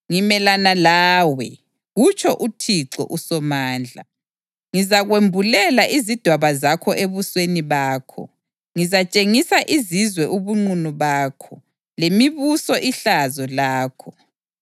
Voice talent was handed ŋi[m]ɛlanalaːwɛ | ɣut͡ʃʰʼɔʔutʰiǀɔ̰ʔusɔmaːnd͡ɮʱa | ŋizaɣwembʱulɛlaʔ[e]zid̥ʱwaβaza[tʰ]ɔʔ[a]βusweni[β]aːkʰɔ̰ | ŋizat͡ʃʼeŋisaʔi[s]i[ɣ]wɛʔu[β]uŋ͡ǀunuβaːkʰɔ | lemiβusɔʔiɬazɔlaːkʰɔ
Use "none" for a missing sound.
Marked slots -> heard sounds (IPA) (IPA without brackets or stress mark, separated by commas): m, i, kʰ, e, β, z, z, β